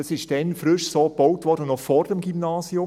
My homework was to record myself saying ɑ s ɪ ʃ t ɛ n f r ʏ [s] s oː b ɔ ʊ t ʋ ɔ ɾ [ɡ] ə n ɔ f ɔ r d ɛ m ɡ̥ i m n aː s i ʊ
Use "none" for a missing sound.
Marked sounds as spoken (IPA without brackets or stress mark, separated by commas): ʃ, d